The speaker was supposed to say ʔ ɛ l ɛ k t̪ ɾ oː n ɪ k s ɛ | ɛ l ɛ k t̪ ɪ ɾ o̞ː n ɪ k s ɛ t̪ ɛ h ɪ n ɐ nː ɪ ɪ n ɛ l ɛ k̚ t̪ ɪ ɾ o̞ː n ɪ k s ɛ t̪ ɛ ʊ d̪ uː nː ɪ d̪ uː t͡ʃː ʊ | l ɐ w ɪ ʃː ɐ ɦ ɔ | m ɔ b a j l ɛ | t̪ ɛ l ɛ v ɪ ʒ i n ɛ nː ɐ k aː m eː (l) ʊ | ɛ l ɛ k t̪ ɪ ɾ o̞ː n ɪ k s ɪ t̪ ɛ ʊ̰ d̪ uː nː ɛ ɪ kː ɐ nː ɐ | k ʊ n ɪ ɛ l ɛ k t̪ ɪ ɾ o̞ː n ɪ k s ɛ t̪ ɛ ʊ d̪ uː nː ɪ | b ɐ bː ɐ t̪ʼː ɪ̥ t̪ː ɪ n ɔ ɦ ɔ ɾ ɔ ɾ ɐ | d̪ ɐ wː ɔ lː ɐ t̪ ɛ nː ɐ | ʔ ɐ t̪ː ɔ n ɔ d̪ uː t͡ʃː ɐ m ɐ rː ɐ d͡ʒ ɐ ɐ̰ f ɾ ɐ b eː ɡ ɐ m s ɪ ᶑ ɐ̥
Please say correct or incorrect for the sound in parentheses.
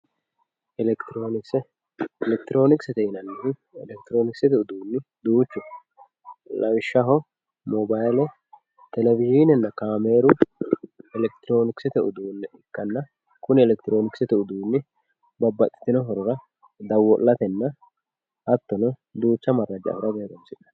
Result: incorrect